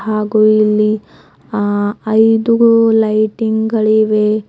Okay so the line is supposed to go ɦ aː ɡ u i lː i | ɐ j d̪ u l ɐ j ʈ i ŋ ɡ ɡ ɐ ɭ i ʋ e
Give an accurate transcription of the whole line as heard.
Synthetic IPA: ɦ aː ɡ u i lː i | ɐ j d̪ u l ɐ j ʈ i ŋ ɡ ɡ ɐ ɭ i ʋ e